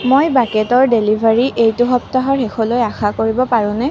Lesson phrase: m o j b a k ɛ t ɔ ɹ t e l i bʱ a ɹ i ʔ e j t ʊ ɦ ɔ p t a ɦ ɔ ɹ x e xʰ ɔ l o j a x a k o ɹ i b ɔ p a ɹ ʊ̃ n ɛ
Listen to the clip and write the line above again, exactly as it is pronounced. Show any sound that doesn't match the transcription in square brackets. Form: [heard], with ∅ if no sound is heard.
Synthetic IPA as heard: m o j b a k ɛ t ɔ ɹ [d] e l i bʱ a ɹ i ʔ e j t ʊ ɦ ɔ p t a ɦ ɔ ɹ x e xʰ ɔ l o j a x a k o ɹ i b ɔ p a ɹ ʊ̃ n ɛ

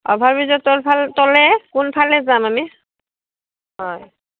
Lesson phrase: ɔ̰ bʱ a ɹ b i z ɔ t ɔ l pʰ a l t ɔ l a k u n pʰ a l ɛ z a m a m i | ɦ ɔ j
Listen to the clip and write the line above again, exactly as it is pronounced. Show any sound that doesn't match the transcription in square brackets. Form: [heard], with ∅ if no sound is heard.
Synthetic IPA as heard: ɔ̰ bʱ a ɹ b i z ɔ t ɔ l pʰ a l t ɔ l [ɛ] k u n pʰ a l ɛ z a m a m i | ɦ ɔ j

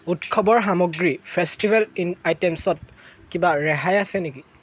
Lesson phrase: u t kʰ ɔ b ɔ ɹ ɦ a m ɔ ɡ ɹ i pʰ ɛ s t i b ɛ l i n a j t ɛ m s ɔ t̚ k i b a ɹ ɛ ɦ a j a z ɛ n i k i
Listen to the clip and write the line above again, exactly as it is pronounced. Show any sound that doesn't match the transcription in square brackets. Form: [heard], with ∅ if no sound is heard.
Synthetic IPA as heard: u t kʰ ɔ b ɔ ɹ ɦ a m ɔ ɡ ɹ i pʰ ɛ s t i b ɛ l i n a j t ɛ m s ɔ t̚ k i b a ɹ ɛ ɦ a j a [s] ɛ n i k i

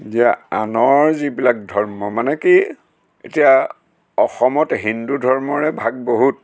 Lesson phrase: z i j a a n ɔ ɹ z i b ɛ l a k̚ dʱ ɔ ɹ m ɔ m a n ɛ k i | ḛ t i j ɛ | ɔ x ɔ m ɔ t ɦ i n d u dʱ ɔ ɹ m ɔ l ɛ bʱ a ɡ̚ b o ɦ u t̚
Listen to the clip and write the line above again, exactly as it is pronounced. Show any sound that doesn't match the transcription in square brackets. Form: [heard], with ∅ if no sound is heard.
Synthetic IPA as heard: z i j a a n ɔ ɹ z i b [i] l a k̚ dʱ ɔ ɹ m ɔ m a n ɛ k i | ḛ t i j [a] | ɔ x ɔ m ɔ t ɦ i n d u dʱ ɔ ɹ m ɔ [ɹ] ɛ bʱ a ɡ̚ b o ɦ u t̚

